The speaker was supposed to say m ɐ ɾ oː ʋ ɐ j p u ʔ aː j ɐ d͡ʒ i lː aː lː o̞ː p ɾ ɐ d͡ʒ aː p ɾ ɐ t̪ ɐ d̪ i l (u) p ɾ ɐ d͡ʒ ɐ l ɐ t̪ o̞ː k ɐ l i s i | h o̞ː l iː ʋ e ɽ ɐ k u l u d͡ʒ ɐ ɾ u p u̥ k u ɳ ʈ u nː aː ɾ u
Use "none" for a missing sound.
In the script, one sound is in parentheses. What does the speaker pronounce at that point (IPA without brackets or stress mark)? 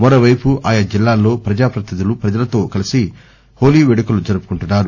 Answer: u